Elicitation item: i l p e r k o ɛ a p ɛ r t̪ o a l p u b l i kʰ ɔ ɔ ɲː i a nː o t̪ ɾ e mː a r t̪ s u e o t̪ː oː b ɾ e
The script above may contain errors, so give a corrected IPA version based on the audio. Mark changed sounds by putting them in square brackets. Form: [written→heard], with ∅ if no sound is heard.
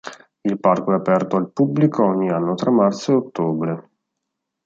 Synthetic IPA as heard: i l p [e→a] r k o ɛ a p ɛ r t̪ o a l p u b l i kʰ [ɔ→o] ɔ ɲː i a nː o t̪ ɾ [e→a] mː a r t̪ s [u→o] e o t̪ː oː b ɾ e